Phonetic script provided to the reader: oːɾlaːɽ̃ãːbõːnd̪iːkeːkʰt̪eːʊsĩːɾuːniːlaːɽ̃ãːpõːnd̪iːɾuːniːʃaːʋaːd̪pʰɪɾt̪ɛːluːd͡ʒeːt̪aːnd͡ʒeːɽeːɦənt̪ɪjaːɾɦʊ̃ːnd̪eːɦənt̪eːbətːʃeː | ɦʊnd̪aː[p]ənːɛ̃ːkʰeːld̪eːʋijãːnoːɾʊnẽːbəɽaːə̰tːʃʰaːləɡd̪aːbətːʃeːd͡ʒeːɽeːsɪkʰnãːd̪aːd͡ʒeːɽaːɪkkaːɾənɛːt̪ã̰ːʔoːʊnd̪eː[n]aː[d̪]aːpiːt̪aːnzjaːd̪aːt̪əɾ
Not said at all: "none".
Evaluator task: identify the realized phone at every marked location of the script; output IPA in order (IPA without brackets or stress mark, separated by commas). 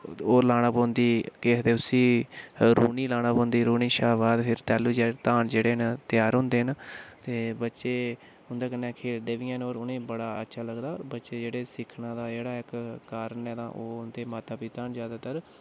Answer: k, m, t̪